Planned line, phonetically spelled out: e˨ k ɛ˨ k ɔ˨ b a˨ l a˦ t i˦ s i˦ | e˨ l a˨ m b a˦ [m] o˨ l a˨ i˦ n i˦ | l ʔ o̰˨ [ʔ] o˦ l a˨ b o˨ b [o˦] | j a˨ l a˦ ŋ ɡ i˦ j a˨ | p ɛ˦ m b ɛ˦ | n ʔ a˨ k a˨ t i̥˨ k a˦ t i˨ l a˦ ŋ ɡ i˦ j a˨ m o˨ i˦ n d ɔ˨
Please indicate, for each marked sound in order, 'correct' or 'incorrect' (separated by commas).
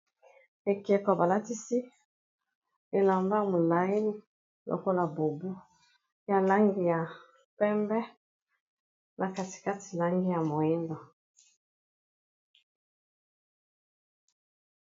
correct, incorrect, incorrect